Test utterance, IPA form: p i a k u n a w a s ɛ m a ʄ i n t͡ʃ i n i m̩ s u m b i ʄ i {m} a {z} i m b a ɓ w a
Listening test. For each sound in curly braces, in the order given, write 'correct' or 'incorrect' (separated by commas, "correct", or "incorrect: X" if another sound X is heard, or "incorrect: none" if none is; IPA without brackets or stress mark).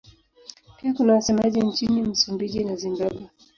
incorrect: n, correct